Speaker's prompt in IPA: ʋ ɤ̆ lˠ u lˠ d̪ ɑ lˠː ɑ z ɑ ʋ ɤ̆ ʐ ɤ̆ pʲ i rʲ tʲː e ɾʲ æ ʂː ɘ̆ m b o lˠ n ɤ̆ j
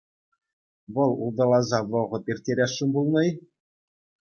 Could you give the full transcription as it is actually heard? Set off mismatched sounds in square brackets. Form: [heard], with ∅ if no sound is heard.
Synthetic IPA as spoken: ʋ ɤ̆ lˠ u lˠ d̪ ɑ [lˠ] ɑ z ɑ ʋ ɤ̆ [ʁ] ɤ̆ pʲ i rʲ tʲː e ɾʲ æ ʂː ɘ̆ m b [u] lˠ n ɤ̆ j